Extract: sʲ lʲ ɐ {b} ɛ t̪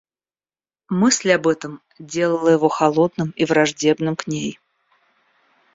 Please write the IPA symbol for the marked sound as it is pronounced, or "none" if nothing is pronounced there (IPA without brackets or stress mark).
b